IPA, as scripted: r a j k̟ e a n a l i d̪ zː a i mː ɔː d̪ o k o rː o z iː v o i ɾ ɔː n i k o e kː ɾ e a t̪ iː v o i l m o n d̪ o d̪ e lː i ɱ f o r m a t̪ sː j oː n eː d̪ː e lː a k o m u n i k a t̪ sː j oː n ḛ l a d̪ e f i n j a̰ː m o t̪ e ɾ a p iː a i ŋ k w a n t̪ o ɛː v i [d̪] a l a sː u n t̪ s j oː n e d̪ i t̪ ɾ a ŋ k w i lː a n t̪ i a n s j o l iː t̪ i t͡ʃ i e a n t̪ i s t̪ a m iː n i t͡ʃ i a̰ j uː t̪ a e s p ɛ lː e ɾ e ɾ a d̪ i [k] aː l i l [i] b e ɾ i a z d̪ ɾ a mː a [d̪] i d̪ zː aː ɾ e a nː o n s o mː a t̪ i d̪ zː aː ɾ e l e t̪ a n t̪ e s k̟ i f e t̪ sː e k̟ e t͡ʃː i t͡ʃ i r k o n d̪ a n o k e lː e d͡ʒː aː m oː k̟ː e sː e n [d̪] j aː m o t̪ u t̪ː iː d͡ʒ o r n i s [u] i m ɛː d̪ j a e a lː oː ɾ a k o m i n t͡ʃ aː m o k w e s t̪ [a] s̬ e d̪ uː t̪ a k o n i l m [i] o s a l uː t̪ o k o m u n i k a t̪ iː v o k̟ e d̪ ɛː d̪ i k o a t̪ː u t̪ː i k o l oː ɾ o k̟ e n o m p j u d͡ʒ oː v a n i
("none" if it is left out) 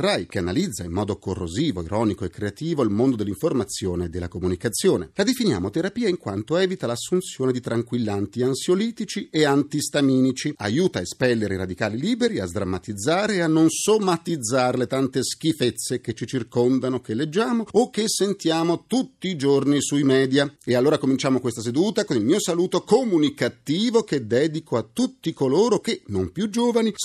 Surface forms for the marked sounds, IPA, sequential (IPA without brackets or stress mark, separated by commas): t̪, k, iː, t̪, t̪, u, a, iː